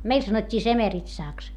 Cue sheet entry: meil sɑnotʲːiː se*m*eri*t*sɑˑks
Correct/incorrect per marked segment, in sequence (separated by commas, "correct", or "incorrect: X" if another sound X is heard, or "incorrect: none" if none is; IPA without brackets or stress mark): correct, correct